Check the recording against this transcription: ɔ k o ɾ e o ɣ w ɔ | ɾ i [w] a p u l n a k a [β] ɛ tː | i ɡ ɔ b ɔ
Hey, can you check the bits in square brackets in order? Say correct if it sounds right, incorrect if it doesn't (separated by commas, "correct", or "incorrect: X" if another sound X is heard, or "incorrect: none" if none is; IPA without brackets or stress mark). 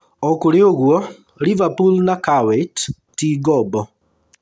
incorrect: v, incorrect: w